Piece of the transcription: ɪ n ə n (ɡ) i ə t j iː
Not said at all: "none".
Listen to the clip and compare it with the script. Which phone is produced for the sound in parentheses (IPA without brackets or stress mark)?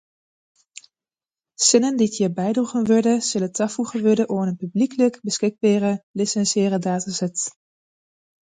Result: d